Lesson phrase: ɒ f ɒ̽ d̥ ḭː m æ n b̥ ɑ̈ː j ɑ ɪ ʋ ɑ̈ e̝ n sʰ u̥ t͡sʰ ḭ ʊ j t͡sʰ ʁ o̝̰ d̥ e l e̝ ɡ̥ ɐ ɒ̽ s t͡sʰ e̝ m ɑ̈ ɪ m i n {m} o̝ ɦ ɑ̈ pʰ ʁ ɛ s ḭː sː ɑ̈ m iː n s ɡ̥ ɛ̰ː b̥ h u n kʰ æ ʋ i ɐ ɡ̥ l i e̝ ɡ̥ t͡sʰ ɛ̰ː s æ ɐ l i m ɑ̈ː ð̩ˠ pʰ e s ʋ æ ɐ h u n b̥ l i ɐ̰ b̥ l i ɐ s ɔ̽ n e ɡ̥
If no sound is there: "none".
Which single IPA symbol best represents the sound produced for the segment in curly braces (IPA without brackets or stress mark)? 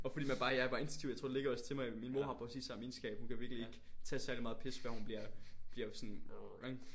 m